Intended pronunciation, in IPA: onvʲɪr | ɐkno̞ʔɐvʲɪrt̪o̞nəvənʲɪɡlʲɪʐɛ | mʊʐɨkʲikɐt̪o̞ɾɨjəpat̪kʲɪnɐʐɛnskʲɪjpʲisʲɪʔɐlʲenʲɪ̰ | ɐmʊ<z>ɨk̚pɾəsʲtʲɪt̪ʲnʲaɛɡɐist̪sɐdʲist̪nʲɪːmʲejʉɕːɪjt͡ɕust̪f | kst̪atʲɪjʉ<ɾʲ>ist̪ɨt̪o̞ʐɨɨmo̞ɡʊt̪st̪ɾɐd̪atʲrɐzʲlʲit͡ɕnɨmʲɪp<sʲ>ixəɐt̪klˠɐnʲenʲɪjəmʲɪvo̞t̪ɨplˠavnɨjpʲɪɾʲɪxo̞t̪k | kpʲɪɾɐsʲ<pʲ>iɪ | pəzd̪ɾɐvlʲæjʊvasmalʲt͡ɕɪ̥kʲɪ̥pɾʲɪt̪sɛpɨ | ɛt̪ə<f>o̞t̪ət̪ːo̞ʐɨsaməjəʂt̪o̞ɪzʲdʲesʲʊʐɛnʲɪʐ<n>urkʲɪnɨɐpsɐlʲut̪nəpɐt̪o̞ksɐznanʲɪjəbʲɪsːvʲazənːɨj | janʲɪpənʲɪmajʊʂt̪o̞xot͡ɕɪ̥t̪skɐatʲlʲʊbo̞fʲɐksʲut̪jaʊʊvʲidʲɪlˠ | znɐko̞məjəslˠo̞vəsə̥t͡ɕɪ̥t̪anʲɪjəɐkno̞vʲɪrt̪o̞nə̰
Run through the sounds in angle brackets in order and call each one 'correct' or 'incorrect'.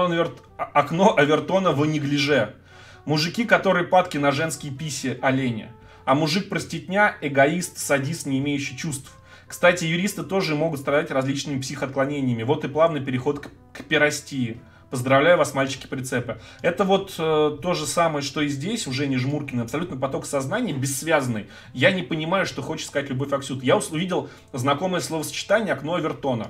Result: incorrect, correct, correct, incorrect, incorrect, incorrect

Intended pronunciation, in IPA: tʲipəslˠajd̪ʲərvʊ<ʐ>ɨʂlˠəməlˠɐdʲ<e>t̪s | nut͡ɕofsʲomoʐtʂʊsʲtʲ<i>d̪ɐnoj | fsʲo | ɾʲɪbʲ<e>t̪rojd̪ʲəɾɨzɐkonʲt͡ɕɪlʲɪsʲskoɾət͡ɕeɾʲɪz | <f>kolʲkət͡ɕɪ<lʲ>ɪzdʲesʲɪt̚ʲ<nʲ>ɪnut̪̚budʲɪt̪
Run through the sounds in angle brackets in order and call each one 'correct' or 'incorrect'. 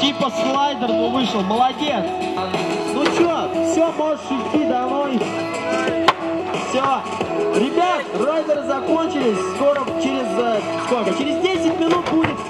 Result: incorrect, correct, correct, incorrect, incorrect, incorrect, incorrect

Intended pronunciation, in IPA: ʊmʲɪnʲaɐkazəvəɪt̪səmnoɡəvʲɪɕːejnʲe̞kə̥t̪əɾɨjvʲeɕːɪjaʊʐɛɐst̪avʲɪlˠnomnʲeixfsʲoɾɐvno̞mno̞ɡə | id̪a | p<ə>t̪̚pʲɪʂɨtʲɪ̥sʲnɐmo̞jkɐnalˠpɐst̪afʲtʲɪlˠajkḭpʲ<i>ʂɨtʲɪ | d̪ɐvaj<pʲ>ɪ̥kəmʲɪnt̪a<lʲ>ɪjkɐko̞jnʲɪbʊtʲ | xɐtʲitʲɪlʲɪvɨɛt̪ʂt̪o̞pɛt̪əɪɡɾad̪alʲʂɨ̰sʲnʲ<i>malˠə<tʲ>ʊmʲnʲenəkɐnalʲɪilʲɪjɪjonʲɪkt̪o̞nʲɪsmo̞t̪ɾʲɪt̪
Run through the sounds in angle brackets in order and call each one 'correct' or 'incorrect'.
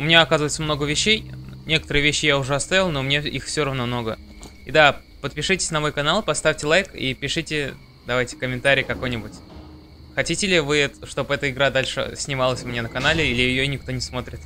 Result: correct, incorrect, incorrect, incorrect, incorrect, incorrect

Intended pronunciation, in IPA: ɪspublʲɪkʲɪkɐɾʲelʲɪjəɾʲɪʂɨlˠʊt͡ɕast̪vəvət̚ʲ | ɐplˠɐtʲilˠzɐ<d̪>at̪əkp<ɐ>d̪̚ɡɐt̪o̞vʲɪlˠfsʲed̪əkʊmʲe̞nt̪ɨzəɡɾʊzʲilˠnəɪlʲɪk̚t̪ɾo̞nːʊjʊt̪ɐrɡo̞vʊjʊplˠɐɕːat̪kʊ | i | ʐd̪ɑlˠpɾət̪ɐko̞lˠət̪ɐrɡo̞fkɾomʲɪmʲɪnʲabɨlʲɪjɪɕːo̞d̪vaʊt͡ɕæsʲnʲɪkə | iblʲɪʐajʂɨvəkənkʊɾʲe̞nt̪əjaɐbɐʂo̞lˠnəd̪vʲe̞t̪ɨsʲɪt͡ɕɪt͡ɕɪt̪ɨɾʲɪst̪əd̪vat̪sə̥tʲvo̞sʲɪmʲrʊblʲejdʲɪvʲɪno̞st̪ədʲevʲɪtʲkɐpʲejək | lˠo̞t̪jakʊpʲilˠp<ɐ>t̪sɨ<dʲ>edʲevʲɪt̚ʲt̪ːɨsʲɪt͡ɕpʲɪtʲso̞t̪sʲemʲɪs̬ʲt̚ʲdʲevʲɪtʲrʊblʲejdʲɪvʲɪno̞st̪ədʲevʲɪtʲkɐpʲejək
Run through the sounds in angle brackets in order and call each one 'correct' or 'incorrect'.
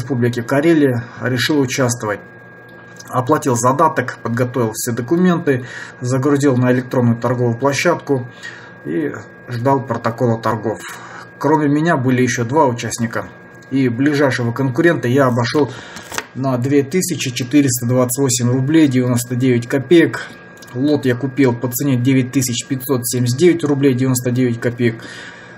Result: correct, incorrect, incorrect, incorrect

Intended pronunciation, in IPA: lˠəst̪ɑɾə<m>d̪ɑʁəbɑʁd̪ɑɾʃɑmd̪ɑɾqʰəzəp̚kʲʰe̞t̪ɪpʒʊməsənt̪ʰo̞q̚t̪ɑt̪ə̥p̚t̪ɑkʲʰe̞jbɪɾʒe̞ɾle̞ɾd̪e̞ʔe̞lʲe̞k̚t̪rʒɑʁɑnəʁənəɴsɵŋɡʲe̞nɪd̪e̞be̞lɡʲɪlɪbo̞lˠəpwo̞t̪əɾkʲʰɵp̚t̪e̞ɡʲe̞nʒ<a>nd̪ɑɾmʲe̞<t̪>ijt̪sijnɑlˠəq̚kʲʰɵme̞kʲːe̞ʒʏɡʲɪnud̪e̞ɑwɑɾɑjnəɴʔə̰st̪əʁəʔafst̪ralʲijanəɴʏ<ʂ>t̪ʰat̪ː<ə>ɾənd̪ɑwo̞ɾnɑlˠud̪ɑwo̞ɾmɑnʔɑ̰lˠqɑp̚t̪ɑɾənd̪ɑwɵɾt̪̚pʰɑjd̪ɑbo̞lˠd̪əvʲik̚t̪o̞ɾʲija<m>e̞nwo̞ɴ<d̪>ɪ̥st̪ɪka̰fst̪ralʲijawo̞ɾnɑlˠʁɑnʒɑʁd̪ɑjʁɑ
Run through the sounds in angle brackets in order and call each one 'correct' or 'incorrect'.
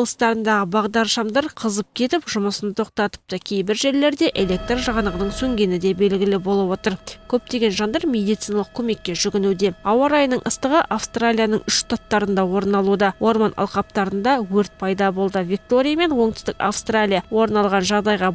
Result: incorrect, incorrect, incorrect, incorrect, incorrect, correct, incorrect

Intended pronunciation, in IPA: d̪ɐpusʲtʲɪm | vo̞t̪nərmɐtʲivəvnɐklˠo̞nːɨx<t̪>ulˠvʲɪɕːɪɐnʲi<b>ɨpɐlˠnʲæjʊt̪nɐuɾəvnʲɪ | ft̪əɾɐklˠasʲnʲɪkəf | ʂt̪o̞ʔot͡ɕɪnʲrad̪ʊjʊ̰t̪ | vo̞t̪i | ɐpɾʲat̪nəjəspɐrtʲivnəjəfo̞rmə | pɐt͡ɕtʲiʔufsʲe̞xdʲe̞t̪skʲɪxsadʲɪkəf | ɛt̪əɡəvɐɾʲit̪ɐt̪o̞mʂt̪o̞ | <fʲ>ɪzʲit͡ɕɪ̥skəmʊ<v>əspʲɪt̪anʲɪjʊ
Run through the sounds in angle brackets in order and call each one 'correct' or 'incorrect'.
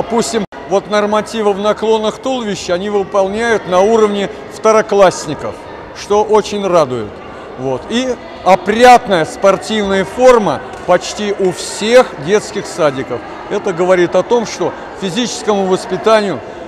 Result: correct, incorrect, correct, correct

